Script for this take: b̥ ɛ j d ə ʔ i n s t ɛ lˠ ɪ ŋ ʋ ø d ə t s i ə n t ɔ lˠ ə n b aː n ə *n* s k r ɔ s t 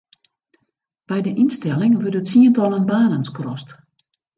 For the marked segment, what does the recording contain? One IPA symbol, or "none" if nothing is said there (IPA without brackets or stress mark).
n